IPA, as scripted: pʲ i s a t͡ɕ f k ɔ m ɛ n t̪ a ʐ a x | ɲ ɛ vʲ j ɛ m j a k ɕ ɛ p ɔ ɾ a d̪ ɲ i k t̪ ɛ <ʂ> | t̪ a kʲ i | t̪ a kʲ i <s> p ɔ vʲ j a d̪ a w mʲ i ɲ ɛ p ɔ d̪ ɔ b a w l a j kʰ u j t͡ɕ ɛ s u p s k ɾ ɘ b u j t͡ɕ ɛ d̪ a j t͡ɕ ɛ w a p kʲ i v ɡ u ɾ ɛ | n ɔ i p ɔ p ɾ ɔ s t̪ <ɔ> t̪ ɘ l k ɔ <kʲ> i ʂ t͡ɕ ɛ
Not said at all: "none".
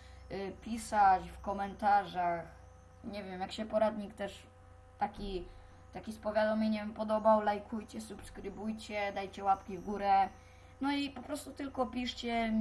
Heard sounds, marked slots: ʂ, s, u, pʲ

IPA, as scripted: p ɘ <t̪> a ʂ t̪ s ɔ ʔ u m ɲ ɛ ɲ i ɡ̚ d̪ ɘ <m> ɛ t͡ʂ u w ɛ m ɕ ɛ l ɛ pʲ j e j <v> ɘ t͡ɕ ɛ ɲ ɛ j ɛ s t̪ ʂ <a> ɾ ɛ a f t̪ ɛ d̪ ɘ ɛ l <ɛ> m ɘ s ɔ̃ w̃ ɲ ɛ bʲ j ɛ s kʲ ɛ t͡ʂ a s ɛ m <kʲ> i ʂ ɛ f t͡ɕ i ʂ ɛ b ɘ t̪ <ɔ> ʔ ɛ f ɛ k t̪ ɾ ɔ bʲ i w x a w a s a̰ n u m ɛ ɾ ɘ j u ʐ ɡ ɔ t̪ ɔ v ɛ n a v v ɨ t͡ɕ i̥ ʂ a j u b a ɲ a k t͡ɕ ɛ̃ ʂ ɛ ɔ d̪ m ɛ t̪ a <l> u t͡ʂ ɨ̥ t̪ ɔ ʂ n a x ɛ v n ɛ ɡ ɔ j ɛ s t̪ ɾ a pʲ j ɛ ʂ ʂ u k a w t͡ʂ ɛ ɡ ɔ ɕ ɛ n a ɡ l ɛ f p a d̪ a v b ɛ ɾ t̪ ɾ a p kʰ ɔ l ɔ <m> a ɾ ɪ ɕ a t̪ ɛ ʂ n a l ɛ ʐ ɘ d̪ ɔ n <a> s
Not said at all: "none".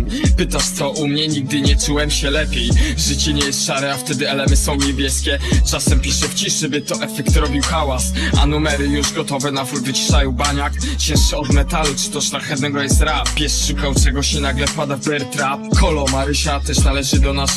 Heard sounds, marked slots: t̪, ɲ, ʐ, a, ɛ, pʲ, ɔ, l, m, a

